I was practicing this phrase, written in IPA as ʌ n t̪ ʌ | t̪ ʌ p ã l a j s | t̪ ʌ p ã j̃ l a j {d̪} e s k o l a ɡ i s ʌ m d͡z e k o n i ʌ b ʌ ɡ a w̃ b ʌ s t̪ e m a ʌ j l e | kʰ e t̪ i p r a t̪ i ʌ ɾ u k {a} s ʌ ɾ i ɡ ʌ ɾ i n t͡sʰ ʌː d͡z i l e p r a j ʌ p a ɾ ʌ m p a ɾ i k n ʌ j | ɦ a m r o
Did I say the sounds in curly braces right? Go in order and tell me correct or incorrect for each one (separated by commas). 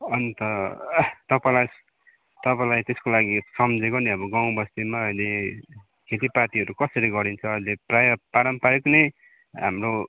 incorrect, incorrect